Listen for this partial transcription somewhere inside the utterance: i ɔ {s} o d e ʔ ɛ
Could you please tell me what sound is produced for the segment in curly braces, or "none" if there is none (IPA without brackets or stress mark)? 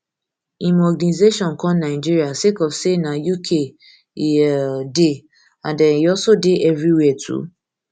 s